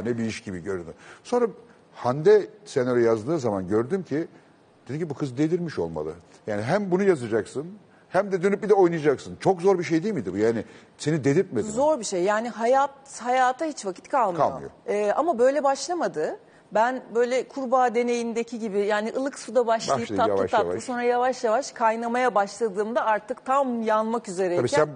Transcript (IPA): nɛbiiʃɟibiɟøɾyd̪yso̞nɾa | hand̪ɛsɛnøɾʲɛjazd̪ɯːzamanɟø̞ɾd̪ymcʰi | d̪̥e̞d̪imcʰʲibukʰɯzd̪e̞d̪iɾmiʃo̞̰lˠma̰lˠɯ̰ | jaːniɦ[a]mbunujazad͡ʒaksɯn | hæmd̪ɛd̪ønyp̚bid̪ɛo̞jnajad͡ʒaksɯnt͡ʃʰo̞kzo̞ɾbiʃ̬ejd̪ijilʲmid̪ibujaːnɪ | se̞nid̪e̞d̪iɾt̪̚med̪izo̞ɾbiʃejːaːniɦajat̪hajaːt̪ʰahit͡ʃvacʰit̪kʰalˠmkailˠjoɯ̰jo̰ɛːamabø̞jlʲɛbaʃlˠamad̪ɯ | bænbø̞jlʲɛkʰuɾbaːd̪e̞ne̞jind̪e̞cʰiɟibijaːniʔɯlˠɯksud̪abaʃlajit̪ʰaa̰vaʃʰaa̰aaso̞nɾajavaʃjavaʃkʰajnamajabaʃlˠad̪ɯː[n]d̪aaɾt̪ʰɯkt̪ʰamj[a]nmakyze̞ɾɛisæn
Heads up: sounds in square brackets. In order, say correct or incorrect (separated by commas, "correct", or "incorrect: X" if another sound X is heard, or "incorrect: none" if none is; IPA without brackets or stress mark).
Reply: incorrect: æ, incorrect: m, correct